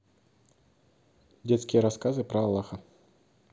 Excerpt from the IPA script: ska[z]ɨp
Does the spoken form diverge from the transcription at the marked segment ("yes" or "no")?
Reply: no